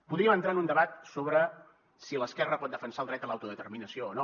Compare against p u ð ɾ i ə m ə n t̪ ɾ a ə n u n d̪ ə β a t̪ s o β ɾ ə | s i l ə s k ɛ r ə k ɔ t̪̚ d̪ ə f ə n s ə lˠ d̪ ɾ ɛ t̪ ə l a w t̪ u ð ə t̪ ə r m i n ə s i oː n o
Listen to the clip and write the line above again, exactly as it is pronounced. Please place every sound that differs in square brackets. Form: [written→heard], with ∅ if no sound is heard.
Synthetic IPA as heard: p u ð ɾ i ə m ə n t̪ ɾ a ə n u n d̪ ə β a t̪ s o β ɾ ə | s i l ə s k ɛ r ə [k→p] ɔ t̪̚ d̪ ə f ə n s [ə→a] lˠ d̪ ɾ ɛ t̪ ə l a w t̪ u ð ə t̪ ə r m i n ə s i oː n o